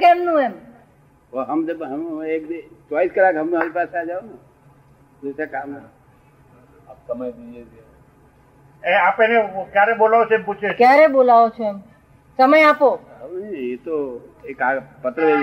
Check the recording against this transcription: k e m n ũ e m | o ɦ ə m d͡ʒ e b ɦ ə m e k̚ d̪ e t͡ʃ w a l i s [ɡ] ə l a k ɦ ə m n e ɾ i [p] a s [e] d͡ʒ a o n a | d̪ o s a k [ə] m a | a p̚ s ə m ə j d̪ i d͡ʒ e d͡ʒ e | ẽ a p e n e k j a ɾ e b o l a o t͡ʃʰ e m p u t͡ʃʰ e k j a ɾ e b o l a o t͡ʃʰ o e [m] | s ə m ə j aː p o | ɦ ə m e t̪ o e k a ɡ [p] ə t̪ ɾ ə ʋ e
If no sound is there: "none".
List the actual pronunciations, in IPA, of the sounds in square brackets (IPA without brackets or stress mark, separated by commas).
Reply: k, p, a, a, m, p